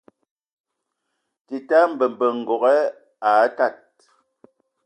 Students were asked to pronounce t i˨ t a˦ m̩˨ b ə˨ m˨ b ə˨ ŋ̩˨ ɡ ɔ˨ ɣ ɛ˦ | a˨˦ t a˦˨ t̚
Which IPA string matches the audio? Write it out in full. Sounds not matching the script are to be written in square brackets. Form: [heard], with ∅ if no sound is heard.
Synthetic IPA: t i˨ t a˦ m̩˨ b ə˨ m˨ b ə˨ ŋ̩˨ ɡ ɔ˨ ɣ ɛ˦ | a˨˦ t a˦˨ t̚